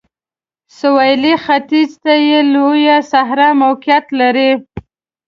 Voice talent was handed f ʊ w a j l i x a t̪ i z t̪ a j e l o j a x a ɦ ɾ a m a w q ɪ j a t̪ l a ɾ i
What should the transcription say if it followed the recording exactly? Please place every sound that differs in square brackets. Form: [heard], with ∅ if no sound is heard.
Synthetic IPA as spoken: [s] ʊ w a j l i x a t̪ i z t̪ a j e l o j a [s] a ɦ ɾ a m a w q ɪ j a t̪ l a ɾ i